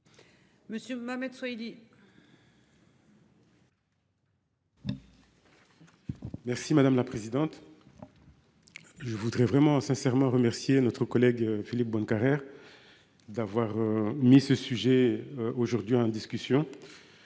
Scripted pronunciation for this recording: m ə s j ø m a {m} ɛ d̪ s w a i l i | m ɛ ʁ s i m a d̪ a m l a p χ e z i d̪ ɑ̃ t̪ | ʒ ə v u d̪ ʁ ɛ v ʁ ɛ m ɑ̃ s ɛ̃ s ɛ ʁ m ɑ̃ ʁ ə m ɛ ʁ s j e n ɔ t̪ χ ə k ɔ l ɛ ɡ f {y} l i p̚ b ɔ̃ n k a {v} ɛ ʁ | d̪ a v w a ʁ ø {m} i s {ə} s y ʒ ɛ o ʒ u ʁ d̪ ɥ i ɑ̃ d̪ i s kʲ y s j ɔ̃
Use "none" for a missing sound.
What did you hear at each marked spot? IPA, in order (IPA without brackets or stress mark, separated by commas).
m, i, ʁ, m, ə